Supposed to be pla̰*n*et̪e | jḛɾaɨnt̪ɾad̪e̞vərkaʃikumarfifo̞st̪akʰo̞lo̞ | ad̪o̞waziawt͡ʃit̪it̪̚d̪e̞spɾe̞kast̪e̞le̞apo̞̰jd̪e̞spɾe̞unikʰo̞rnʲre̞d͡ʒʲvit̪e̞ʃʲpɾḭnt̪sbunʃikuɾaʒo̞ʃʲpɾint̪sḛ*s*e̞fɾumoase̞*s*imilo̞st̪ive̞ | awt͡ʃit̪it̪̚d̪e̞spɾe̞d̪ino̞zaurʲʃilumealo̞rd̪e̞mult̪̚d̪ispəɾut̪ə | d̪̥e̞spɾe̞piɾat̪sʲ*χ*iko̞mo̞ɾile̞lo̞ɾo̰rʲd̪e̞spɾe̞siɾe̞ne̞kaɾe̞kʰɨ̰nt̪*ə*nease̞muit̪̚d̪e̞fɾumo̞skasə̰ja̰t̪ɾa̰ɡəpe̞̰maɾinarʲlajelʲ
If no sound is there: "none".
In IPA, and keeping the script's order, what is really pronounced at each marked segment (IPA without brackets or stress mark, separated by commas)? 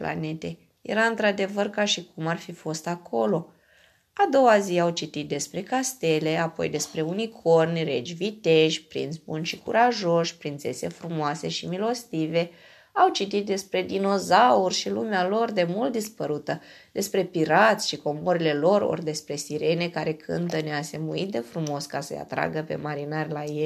n, s, ʃ, ʃ, ə